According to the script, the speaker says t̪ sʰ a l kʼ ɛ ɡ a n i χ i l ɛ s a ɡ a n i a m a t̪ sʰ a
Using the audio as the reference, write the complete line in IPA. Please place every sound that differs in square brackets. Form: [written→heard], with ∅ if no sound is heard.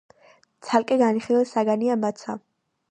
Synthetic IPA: t̪ sʰ a l kʼ ɛ ɡ a n i χ i l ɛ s a ɡ a n i a m a t̪ sʰ a